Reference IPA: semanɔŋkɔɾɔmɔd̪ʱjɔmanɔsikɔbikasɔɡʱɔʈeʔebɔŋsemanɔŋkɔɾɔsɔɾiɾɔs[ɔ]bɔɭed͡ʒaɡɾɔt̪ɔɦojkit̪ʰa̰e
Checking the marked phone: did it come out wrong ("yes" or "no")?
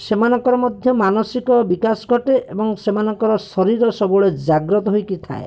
no